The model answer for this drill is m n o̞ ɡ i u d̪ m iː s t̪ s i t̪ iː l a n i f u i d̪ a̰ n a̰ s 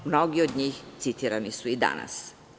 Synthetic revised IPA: m n o̞ ɡ i o d̪ ɲ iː x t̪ s i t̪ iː ɾ a n i s u i d̪ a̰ n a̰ s